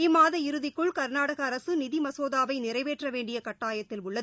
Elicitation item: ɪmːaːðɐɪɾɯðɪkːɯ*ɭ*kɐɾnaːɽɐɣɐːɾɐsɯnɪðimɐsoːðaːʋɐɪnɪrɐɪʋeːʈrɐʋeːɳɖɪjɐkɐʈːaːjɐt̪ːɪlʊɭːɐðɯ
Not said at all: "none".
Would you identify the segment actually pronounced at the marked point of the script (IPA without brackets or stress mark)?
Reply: ɭ